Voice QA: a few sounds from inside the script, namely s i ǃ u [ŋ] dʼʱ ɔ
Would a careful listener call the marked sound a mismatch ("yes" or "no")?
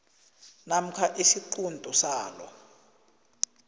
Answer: yes